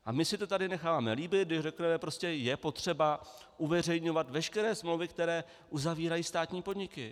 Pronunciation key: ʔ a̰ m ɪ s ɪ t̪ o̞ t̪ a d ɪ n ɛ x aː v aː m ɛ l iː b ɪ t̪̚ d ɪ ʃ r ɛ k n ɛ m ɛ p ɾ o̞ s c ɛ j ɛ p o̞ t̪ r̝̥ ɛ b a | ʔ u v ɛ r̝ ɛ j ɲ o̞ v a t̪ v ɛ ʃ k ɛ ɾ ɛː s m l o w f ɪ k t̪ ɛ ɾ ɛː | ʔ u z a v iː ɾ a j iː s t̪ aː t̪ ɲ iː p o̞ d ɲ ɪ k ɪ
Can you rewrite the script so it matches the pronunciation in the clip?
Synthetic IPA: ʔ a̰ m ɪ s ɪ t̪ o̞ t̪ a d ɪ n ɛ x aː v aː m ɛ l iː b ɪ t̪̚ d ɪ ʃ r ɛ k n ɛ m ɛ p ɾ o̞ s c ɛ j ɛ p o̞ t̪ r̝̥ ɛ b a | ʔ u v ɛ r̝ ɛ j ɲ o̞ v a t̪ v ɛ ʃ k ɛ ɾ ɛː s m l o w v ɪ k t̪ ɛ ɾ ɛː | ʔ u z a v iː ɾ a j iː s t̪ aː t̪ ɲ iː p o̞ d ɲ ɪ k ɪ